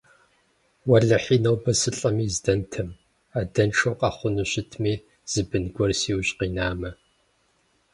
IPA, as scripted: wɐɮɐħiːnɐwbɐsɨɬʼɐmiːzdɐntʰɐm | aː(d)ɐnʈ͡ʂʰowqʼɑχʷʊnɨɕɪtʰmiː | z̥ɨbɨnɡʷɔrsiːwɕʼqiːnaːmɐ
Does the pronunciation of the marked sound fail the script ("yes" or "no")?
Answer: no